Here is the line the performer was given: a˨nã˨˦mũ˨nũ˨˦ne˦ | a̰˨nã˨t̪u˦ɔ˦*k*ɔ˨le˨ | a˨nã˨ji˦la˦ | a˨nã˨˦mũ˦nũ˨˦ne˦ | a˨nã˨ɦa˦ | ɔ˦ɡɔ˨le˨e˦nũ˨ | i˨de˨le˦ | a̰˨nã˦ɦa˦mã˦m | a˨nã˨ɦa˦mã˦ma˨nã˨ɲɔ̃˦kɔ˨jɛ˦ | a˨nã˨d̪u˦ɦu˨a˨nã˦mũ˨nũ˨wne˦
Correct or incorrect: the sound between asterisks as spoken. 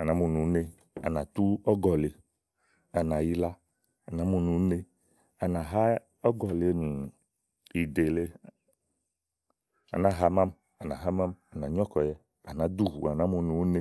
incorrect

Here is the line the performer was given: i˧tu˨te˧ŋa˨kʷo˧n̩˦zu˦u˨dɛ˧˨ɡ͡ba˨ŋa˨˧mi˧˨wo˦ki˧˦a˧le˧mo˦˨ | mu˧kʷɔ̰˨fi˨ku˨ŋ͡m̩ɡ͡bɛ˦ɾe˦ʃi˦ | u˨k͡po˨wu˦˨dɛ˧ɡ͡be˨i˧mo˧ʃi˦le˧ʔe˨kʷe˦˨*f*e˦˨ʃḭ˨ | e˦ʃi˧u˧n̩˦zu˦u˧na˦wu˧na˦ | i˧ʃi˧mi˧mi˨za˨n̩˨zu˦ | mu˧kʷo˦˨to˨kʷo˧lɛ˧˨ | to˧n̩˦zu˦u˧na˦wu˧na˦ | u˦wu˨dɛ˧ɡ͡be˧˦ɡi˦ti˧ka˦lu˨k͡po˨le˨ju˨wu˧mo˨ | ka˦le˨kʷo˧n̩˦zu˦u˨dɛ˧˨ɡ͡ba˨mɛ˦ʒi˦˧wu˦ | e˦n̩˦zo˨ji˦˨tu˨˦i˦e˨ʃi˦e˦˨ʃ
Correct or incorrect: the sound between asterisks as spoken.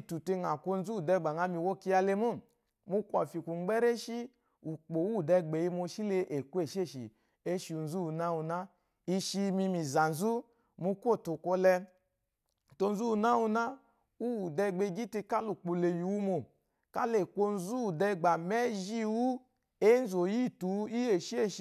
incorrect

